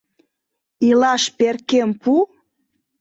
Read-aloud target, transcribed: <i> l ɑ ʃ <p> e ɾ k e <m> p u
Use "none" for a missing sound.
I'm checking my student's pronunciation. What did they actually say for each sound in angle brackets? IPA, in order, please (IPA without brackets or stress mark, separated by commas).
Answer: i, p, m